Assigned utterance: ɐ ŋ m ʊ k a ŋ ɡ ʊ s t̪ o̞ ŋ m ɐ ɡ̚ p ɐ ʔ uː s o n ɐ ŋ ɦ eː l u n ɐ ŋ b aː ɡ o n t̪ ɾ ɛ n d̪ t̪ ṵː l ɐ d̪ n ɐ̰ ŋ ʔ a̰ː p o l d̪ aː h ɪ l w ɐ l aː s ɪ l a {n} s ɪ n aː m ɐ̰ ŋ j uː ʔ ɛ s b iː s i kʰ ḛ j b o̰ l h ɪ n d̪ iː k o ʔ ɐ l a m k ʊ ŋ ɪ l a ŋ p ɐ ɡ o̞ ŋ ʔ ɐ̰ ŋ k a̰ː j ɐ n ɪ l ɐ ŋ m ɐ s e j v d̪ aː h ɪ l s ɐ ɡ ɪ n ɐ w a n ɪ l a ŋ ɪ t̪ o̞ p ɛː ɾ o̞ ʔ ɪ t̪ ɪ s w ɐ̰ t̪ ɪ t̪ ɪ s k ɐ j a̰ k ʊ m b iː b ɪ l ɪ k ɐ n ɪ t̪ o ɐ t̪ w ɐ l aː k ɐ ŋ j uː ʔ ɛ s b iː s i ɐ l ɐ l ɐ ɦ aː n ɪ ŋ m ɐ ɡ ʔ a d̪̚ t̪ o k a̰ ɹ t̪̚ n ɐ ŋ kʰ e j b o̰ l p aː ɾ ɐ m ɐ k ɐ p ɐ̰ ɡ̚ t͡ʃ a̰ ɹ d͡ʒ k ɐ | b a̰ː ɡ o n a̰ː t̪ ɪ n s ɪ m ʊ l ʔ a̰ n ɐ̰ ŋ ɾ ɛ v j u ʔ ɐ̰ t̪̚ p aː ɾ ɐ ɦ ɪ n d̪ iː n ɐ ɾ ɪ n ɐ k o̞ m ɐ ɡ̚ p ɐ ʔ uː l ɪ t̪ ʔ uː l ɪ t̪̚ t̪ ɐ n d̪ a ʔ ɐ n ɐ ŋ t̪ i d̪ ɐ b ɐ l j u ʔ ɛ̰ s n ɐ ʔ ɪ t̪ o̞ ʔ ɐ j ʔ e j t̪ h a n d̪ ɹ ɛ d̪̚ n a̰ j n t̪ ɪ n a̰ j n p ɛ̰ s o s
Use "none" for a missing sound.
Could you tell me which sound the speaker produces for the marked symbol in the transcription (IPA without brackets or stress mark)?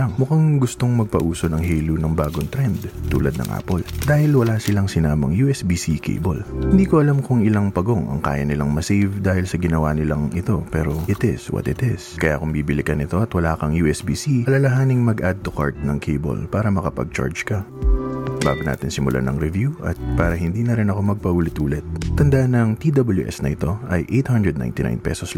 ŋ